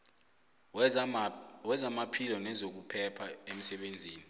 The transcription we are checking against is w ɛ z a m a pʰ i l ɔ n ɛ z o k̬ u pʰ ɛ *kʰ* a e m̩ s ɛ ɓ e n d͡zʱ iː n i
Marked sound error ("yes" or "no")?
yes